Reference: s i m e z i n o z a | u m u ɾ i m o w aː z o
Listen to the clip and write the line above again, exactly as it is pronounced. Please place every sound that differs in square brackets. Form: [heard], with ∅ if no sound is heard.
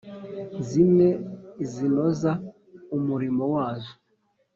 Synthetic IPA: [z] i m e z i n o z a | u m u ɾ i m o w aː z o